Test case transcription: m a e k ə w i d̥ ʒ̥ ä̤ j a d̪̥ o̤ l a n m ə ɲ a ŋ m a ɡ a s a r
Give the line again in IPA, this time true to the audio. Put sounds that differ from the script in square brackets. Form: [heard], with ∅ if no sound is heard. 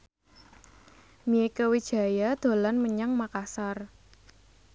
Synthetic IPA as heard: m [i] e k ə w i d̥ ʒ̥ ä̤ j a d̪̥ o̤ l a n m ə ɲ a ŋ m a [k] a s a r